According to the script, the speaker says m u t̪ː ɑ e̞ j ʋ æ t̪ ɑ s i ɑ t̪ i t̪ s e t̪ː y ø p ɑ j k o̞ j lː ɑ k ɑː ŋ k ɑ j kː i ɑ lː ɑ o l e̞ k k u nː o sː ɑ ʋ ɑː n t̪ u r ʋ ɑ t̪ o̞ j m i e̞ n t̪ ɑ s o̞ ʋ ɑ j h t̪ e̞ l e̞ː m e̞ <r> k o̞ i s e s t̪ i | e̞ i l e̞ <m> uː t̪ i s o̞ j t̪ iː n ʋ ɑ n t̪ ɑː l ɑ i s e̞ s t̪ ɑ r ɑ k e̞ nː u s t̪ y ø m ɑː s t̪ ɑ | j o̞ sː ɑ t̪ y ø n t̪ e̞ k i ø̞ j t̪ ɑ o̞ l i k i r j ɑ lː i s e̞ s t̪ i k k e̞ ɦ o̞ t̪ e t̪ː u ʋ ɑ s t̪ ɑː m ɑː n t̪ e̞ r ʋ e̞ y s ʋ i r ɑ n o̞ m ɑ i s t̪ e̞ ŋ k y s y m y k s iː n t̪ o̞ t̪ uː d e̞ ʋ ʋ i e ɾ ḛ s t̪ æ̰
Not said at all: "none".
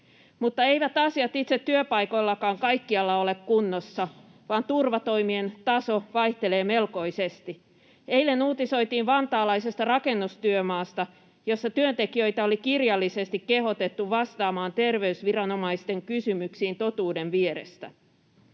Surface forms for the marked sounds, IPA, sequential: l, n

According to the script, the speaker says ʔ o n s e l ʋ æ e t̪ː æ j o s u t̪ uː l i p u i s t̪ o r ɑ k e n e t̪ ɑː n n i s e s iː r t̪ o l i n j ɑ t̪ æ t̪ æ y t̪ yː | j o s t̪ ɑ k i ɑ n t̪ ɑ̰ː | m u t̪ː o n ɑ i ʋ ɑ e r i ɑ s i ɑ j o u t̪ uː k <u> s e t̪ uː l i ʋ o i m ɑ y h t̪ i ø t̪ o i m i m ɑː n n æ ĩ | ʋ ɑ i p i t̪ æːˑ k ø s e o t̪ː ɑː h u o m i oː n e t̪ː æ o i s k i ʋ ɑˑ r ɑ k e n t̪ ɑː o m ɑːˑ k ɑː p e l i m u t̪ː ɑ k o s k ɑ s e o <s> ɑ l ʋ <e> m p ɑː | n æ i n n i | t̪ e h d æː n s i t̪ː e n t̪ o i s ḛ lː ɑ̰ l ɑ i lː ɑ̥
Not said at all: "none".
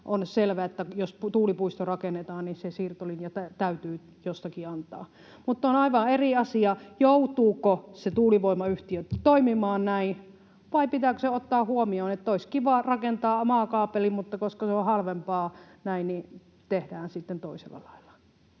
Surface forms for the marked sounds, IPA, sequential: o, h, e

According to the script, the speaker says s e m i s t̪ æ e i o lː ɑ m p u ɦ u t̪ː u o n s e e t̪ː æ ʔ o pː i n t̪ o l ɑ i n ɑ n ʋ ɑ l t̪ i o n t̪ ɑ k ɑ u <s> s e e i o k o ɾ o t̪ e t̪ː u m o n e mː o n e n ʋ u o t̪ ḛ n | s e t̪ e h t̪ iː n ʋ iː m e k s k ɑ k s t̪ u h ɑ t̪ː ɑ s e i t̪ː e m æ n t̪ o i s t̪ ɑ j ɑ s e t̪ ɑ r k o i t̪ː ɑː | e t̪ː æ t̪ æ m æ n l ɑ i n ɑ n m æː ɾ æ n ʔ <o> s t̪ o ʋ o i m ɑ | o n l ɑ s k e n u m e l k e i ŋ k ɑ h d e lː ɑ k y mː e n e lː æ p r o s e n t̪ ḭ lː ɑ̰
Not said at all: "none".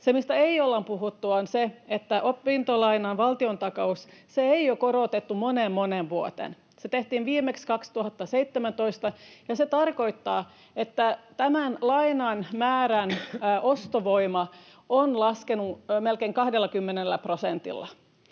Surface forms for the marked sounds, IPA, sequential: s, o

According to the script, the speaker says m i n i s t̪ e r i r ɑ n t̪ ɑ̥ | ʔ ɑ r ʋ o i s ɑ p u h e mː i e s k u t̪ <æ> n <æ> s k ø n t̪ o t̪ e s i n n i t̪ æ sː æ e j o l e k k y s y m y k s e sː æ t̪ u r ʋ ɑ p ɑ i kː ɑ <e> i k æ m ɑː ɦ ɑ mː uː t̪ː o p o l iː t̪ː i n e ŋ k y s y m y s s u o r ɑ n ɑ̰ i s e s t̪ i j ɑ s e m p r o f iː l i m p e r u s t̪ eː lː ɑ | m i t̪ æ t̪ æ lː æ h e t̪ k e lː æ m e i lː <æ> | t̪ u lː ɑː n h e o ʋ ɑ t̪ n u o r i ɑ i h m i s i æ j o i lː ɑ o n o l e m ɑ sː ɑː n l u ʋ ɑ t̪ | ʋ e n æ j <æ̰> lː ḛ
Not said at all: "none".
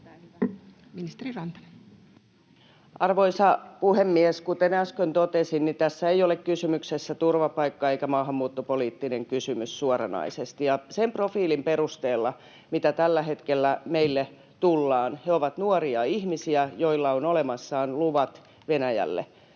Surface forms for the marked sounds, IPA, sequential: e, æ, e, e, æ̰

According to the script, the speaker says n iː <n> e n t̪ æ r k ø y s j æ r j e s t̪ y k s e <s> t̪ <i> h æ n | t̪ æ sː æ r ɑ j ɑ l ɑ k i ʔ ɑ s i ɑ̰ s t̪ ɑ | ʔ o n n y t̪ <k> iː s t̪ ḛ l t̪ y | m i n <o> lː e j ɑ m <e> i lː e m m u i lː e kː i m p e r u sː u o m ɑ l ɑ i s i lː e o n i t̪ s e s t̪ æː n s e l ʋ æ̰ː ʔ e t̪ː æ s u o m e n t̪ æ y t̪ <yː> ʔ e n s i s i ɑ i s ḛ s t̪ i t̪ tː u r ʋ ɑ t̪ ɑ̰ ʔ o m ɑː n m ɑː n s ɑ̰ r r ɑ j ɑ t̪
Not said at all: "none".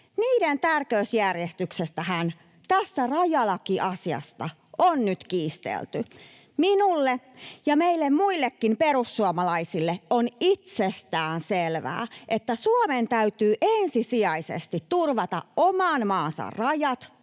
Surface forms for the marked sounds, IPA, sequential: d, s, æ, k, u, e, yː

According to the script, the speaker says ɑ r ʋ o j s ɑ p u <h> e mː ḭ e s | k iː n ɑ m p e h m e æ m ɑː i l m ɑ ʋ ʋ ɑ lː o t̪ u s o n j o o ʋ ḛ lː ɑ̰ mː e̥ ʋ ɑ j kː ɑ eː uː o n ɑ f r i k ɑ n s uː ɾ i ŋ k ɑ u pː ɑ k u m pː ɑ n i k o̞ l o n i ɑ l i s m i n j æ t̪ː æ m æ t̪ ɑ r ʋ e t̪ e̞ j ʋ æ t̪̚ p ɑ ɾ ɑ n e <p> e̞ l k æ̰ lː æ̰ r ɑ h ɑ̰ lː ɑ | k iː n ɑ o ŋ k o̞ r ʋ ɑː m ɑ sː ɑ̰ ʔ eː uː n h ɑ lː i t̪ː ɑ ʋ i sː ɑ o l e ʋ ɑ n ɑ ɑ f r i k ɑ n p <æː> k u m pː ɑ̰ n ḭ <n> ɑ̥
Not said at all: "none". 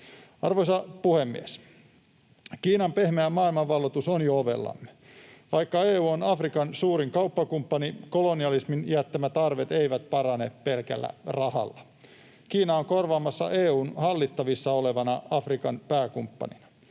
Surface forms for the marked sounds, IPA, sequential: h, p, æː, n

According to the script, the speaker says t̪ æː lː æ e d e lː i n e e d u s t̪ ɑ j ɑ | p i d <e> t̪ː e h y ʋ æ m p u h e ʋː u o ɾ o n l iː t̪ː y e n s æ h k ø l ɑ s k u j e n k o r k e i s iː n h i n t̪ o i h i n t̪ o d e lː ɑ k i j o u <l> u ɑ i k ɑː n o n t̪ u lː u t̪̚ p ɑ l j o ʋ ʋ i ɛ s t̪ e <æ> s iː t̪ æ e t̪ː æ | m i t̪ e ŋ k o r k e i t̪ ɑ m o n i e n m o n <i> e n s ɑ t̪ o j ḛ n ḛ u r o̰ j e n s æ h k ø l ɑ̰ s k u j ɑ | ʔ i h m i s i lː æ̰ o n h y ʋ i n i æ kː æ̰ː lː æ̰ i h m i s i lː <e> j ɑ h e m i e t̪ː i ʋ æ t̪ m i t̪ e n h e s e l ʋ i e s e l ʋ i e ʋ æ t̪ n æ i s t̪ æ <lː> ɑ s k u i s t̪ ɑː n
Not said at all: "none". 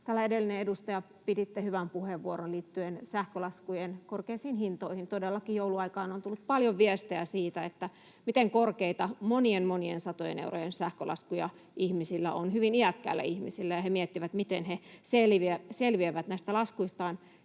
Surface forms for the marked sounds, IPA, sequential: i, l, æ, i, æ, l

